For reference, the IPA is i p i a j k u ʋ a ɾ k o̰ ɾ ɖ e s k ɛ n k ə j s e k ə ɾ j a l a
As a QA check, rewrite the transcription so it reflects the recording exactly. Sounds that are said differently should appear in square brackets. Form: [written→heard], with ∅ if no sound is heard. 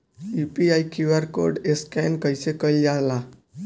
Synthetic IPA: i p i a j k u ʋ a ɾ k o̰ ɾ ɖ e s k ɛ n k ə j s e k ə [ɾ→l] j a l a